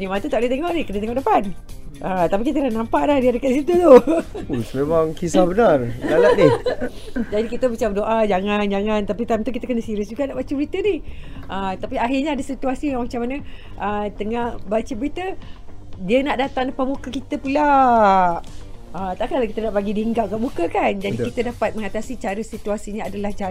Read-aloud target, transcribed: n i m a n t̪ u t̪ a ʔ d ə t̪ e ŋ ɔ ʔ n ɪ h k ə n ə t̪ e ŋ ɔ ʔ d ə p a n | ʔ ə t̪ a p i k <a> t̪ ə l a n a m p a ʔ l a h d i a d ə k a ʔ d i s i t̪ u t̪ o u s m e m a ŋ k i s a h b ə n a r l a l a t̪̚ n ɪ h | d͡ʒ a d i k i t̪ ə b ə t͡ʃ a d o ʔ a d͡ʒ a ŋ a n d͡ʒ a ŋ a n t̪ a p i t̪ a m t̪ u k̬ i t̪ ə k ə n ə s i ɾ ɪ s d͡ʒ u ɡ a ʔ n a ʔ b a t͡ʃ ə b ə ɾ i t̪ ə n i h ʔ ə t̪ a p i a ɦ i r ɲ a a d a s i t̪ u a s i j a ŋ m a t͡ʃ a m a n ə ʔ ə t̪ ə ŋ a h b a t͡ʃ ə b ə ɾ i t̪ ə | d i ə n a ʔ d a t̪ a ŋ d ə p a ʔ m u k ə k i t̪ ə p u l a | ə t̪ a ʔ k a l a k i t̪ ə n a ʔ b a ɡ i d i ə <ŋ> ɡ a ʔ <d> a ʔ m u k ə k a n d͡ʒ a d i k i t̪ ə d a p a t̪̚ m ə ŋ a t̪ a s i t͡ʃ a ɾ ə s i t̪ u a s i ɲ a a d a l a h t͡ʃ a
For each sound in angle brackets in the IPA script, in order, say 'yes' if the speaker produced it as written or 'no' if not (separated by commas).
no, yes, no